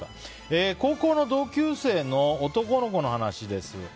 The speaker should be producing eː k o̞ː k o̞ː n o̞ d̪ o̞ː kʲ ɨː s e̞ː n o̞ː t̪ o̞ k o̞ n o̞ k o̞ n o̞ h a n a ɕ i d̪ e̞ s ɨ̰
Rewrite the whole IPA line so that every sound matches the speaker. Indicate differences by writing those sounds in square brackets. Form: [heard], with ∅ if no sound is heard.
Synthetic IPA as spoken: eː k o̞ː k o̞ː n o̞ d̪ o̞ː kʲ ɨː s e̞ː n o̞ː t̪ o̞ k o̞ n o̞ k o̞ n o̞ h a n a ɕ i d̪ e̞ s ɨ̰